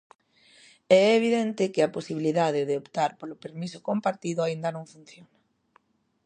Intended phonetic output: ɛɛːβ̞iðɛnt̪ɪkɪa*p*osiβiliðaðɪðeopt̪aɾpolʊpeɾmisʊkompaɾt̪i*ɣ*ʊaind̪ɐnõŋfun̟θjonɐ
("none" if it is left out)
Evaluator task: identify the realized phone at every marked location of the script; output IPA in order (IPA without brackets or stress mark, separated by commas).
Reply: p, ð